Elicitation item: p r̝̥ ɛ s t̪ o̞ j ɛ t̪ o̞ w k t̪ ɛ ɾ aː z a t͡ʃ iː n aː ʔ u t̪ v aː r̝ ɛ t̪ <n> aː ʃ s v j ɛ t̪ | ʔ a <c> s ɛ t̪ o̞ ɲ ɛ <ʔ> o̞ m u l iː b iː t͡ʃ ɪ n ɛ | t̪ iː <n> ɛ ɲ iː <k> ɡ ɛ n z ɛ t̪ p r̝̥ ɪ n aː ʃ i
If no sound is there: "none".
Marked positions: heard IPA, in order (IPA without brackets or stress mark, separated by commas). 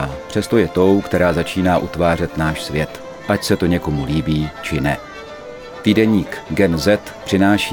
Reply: n, c, k, d, k